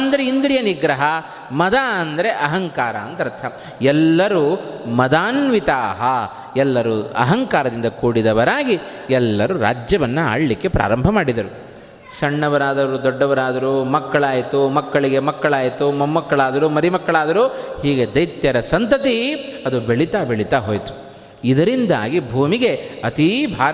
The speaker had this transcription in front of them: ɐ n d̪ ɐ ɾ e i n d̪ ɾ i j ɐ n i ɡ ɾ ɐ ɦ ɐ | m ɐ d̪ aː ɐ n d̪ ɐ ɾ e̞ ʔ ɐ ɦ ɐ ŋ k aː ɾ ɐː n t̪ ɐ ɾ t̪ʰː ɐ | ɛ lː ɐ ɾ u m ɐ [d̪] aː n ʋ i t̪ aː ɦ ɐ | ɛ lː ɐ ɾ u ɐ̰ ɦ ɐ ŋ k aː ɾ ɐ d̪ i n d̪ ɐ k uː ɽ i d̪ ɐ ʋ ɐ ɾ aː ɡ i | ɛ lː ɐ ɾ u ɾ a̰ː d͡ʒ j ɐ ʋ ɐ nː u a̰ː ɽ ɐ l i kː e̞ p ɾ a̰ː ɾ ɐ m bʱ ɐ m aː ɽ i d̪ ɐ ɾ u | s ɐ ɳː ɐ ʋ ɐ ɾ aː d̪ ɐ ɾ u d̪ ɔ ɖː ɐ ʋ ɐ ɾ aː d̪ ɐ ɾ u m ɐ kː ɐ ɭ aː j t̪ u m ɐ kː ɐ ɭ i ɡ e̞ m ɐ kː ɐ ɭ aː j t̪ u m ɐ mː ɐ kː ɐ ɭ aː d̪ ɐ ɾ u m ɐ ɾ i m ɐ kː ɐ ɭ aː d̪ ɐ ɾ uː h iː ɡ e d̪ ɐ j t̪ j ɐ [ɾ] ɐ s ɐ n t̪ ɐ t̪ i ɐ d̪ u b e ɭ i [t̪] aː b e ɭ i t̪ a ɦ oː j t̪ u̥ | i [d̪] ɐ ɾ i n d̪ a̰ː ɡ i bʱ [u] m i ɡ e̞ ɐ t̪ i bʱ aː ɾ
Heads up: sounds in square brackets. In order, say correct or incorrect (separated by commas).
correct, correct, correct, correct, incorrect